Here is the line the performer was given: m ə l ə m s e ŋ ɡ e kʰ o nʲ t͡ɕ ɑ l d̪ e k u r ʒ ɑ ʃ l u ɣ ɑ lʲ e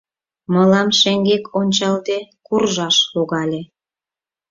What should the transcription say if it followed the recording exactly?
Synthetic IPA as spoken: m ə l ɑ m ʃ e ŋ ɡ e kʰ o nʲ t͡ɕ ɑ l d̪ e k u r ʒ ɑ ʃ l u ɣ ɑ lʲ e